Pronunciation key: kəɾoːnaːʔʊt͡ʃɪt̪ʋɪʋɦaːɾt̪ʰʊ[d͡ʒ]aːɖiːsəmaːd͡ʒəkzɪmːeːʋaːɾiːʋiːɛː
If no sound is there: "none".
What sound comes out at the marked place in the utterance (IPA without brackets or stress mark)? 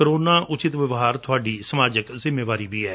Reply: none